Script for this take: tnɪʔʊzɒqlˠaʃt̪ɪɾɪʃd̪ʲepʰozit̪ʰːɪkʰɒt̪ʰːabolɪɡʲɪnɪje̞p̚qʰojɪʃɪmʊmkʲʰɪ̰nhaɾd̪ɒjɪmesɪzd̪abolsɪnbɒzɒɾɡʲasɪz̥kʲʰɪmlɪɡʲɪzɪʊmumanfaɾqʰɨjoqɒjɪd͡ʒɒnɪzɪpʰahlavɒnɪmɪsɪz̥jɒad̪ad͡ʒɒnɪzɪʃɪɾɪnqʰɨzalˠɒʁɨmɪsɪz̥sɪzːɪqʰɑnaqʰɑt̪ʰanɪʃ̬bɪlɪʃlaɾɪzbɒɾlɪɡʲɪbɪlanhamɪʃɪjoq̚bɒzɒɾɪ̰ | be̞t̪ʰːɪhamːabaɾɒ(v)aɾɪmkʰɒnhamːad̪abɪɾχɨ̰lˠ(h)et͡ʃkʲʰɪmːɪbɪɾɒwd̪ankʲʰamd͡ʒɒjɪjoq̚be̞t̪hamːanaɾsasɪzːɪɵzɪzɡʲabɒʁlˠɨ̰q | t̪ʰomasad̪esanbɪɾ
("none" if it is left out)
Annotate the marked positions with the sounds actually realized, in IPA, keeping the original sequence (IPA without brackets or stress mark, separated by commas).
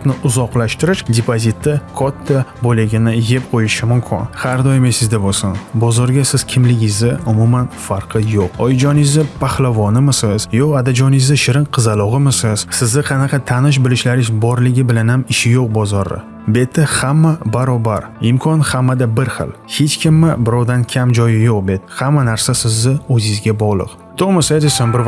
b, h